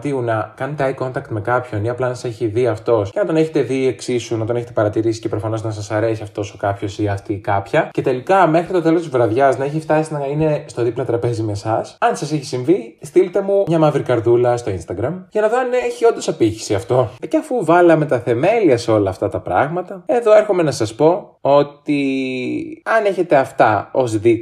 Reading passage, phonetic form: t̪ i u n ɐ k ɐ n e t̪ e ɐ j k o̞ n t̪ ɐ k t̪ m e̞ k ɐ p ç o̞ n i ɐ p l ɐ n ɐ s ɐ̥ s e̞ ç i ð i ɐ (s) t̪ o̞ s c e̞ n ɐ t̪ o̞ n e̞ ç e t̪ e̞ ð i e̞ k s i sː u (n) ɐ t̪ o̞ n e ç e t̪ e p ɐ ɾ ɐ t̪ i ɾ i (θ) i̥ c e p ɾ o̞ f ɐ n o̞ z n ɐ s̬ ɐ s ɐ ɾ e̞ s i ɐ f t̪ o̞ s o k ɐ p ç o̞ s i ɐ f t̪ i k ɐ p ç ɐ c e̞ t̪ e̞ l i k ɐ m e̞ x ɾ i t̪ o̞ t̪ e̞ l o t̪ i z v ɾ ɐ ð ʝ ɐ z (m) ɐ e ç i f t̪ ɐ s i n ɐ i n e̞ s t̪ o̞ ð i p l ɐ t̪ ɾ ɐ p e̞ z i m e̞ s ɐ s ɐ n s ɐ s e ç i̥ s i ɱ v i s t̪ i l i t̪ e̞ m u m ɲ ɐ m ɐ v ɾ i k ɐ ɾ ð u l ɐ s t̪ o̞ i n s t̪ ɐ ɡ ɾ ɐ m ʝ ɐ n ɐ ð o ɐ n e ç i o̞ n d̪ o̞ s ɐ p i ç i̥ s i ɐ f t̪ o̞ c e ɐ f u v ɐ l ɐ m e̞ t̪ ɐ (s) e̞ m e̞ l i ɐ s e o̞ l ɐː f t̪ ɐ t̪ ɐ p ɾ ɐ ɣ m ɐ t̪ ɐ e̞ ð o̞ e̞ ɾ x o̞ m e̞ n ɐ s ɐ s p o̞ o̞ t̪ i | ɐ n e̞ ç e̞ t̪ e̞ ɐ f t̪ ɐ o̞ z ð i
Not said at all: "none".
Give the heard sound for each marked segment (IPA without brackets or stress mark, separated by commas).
f, n, s, n, θ